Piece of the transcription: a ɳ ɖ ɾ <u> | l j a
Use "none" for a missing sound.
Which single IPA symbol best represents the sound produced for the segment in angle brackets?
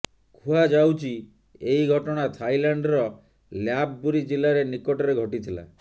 ɔ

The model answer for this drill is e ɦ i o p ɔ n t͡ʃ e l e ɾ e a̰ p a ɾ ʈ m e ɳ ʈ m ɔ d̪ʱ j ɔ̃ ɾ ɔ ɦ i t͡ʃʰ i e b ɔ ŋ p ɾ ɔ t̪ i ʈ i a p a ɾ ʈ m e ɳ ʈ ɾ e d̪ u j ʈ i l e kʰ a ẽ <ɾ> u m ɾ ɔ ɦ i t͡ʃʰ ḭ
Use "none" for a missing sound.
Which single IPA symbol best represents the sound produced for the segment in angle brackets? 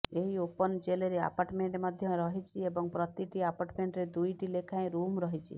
ɾ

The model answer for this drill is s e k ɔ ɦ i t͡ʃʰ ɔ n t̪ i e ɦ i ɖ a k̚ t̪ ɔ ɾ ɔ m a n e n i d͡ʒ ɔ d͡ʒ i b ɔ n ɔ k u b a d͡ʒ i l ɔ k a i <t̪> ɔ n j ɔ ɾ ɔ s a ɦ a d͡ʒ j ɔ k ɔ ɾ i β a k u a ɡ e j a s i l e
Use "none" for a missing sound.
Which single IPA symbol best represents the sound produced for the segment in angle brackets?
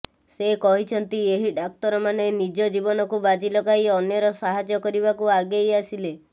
none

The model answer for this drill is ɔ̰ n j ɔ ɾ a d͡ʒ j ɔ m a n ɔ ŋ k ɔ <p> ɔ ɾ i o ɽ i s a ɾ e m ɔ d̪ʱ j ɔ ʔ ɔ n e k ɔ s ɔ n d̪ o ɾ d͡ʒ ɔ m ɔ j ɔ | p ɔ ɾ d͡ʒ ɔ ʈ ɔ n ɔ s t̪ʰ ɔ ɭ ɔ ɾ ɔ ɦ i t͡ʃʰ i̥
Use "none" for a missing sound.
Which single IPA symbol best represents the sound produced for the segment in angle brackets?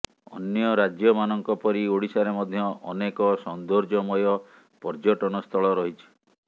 p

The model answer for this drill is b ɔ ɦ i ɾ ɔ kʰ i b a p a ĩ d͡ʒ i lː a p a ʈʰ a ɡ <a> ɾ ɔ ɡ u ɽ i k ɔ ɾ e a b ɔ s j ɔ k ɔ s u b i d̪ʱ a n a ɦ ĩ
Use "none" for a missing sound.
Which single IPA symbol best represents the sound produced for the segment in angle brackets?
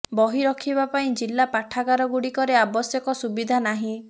a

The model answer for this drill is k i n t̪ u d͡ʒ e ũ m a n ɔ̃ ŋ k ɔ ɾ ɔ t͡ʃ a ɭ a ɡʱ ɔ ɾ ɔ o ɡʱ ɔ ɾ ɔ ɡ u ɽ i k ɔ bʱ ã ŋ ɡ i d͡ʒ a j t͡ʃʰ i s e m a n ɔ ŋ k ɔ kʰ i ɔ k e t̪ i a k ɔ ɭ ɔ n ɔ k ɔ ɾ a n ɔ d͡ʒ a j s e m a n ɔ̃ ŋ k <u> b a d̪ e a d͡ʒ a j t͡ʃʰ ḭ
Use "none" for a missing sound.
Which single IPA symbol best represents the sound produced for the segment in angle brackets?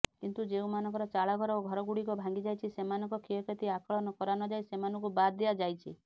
u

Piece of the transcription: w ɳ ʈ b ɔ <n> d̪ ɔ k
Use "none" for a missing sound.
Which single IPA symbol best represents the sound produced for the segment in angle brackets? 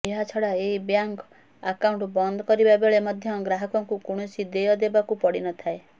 n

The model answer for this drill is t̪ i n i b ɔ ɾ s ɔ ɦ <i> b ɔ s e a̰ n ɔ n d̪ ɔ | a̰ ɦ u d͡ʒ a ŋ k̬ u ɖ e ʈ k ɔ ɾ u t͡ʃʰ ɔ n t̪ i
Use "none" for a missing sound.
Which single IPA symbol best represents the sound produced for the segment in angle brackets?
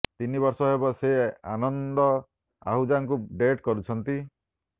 e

